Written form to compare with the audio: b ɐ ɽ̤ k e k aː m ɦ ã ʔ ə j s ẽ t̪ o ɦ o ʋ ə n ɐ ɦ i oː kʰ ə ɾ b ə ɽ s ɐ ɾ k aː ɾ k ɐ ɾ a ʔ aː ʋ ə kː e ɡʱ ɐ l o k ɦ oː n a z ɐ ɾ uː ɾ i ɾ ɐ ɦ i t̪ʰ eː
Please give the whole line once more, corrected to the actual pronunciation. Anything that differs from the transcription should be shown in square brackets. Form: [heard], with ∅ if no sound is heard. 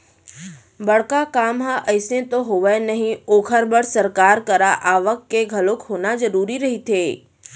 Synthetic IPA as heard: b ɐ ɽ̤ k [a] k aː m ɦ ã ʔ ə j s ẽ t̪ o ɦ o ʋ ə n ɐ ɦ [ĩ] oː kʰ ə ɾ b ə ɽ s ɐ ɾ k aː ɾ k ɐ ɾ a ʔ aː ʋ ə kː e ɡʱ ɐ l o k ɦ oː n a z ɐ ɾ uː ɾ i ɾ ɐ ɦ i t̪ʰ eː